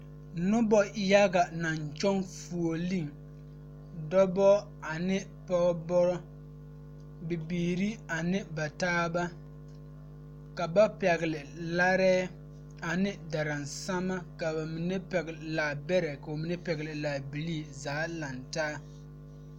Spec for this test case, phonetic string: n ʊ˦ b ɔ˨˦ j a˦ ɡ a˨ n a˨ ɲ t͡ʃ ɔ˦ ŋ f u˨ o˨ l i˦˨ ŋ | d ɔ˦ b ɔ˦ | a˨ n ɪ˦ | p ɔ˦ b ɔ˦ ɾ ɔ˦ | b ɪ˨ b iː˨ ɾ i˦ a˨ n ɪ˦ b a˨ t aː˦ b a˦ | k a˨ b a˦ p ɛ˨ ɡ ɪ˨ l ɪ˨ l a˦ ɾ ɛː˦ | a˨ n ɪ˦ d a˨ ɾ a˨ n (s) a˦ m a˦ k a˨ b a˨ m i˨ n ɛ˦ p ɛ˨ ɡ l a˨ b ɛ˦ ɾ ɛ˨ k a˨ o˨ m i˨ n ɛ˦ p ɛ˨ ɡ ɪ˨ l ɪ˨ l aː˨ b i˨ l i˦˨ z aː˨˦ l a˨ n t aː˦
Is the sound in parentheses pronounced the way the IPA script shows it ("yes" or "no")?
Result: yes